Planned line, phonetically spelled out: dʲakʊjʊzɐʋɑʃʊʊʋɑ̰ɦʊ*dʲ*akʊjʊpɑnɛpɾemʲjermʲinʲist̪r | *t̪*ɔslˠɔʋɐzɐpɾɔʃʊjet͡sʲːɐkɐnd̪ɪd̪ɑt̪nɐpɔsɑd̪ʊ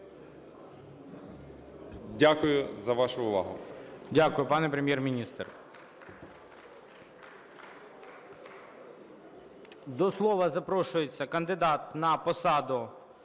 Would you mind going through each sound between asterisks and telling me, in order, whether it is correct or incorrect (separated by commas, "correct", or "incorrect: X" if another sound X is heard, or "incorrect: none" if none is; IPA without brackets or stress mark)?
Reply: correct, incorrect: d̪